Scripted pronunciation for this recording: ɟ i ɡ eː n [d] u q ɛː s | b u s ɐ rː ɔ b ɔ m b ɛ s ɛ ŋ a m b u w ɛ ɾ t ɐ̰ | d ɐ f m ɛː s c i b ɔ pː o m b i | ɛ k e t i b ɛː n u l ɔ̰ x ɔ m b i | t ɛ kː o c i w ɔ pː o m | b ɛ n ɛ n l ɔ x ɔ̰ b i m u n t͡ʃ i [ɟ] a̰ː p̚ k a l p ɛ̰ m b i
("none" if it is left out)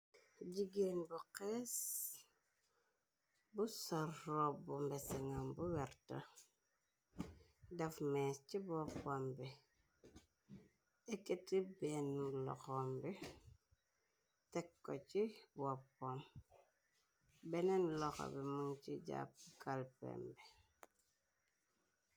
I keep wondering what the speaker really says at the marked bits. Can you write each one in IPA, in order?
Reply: b, ɟ

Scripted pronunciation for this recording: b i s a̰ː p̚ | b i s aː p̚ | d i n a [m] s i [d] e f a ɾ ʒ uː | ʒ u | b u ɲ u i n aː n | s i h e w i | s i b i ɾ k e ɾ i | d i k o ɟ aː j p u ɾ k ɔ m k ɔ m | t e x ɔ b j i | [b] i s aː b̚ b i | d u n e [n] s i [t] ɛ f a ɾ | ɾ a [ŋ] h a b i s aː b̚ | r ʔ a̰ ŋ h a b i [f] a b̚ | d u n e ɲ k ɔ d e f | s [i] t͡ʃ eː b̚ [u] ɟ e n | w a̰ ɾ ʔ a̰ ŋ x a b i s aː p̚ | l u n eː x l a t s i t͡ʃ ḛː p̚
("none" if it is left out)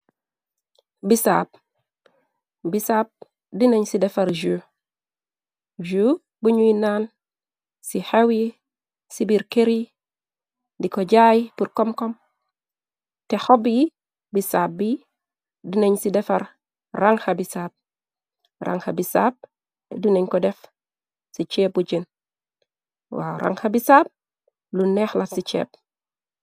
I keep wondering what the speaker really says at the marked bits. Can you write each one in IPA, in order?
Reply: ɲ, d, b, ɲ, d, ŋ, s, i, u

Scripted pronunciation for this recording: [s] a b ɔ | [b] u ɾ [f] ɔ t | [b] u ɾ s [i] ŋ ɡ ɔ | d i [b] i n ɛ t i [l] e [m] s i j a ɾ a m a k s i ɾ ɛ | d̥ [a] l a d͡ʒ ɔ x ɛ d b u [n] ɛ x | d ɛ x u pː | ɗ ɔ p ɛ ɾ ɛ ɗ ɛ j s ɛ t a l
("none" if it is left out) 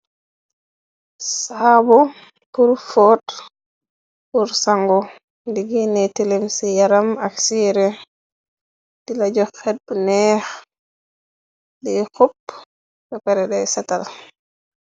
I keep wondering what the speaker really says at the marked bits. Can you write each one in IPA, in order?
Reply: s, p, f, p, a, ɡ, l, m, i, n

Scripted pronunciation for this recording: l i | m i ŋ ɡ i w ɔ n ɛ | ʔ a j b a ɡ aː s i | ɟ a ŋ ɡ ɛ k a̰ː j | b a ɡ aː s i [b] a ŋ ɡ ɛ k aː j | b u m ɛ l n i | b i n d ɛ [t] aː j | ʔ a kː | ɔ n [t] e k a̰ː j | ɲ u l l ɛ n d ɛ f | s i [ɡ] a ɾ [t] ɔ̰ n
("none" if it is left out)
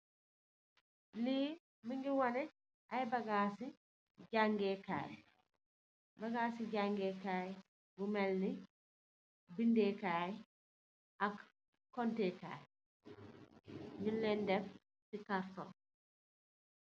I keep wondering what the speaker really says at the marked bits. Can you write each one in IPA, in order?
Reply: ɟ, k, t, k, t

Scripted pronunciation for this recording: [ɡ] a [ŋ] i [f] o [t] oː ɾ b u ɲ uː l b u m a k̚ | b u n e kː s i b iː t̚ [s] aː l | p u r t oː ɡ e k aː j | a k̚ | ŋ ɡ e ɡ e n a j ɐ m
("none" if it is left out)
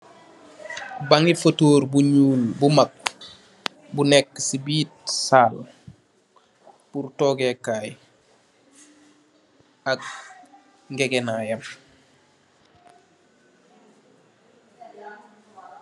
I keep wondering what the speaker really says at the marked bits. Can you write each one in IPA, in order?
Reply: b, ŋ, f, t, s

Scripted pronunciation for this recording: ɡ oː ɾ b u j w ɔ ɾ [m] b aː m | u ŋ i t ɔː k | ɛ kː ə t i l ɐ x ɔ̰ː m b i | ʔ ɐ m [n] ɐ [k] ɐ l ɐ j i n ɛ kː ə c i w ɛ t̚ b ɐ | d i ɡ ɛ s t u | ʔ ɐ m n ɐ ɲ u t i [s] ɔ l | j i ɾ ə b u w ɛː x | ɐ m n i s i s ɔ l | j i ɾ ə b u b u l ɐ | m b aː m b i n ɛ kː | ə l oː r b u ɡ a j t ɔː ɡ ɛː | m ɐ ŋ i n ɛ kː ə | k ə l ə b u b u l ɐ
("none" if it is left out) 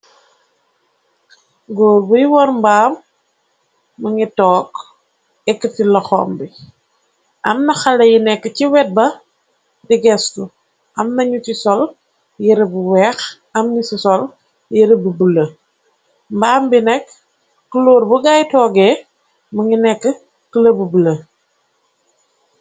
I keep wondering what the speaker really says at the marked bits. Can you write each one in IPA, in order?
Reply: m, n, x, s

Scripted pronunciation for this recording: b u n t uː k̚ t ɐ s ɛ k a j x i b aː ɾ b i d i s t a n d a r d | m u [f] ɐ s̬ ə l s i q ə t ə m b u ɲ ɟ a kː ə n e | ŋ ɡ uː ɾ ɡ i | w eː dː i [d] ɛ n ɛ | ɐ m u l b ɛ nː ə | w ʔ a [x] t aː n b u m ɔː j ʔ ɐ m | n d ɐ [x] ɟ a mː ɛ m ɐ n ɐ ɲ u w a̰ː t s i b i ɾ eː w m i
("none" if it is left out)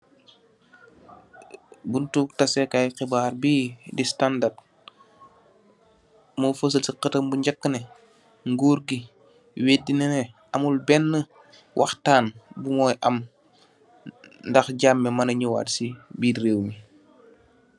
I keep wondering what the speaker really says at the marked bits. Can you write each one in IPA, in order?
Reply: f, n, x, x

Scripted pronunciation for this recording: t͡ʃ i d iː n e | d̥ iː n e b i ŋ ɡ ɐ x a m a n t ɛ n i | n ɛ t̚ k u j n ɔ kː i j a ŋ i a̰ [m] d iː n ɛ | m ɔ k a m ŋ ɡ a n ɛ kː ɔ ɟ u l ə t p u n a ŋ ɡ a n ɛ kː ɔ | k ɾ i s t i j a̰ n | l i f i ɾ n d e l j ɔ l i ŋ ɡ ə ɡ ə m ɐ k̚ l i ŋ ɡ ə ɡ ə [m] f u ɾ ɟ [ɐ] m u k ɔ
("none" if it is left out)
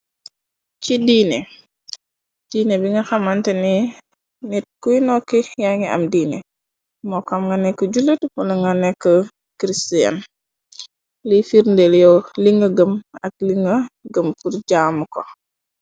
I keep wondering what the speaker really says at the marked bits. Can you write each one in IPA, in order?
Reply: m, m, a

